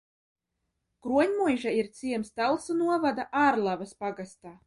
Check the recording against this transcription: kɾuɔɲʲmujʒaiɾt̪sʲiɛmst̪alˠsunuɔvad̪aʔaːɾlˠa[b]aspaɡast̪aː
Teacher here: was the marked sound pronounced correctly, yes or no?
no